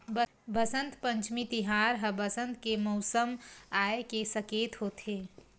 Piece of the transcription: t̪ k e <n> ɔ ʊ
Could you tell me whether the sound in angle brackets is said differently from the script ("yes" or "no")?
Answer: yes